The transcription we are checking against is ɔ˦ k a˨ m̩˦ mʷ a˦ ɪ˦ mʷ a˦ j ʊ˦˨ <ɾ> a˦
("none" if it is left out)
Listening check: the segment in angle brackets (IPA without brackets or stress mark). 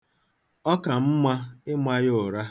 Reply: ɾ